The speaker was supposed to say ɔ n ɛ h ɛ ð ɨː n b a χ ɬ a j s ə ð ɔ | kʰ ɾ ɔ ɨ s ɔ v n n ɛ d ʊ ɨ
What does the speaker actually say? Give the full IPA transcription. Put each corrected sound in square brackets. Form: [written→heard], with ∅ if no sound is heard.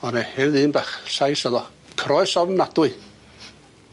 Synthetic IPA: ɔ n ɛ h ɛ ð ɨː n b a χ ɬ a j s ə ð ɔ | kʰ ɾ ɔ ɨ s ɔ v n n [ɛ→a] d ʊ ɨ